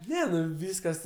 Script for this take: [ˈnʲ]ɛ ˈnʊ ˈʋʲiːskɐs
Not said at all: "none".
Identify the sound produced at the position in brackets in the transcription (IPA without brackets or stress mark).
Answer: nʲ